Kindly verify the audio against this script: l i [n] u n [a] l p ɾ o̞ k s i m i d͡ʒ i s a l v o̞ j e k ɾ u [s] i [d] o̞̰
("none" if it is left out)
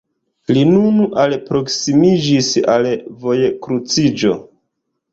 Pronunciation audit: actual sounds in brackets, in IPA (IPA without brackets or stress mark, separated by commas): n, a, t͡s, d͡ʒ